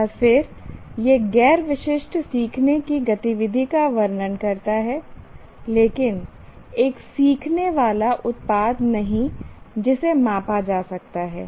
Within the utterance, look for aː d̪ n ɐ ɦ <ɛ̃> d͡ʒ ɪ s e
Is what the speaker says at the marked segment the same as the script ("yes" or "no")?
no